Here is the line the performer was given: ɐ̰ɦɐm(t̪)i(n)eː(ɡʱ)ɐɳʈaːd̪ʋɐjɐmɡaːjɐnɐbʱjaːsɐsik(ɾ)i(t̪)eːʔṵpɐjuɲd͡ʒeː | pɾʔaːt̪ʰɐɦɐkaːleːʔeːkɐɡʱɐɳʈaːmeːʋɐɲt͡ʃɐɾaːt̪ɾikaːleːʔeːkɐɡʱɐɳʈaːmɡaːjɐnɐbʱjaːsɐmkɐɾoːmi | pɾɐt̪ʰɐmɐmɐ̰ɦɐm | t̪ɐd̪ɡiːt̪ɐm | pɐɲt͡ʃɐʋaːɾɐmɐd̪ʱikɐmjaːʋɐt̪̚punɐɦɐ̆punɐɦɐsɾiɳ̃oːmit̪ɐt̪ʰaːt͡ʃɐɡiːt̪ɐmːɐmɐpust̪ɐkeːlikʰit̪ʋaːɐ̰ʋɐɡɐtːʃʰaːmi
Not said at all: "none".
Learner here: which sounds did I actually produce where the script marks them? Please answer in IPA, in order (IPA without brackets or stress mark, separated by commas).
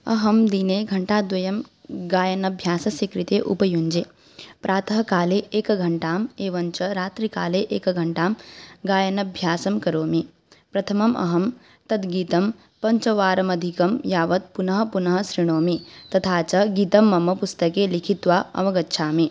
d̪, n, ɡʱ, ɾ, t̪